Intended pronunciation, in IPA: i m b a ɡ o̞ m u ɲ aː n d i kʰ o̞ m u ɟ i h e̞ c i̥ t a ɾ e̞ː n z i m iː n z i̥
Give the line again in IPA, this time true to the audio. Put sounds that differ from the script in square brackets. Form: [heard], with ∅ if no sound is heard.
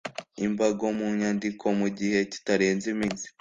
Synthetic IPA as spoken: i m b a ɡ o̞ m u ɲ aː n d i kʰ o̞ m u ɟ i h e̞ c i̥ t a ɾ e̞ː n z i m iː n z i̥